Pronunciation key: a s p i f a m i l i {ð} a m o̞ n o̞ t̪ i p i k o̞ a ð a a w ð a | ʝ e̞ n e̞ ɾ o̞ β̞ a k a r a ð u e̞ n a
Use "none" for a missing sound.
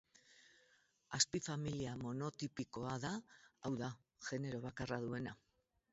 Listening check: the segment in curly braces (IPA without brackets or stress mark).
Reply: none